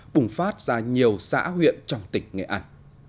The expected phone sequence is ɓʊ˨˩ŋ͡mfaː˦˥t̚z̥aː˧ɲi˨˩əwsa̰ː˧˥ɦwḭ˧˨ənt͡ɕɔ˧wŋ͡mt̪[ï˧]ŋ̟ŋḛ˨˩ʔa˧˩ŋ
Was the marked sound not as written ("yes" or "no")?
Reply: yes